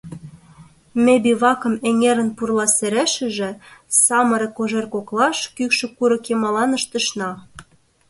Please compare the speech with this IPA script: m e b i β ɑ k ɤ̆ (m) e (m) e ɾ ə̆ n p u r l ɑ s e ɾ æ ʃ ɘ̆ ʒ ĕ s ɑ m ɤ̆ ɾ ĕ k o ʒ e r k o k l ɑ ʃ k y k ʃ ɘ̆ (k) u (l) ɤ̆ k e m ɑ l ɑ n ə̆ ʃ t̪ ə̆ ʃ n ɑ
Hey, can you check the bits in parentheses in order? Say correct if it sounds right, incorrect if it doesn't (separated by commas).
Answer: correct, incorrect, correct, incorrect